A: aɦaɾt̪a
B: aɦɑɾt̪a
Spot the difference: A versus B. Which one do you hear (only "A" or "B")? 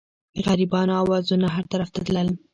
A